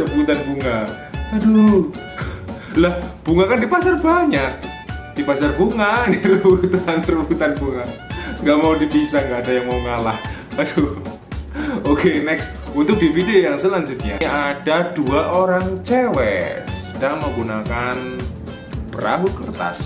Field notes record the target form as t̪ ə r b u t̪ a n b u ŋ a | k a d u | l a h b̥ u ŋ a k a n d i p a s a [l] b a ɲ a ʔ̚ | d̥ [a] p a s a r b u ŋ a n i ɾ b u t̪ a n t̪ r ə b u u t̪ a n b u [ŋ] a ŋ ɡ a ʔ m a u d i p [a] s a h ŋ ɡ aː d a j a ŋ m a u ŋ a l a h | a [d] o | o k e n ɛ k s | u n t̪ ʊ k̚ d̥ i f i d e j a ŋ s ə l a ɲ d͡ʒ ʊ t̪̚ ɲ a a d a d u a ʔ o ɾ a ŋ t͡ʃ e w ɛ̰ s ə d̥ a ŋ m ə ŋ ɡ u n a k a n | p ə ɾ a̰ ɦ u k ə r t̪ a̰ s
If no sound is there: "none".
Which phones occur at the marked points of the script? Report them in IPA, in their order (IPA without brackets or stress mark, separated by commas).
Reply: r, i, ŋ, i, d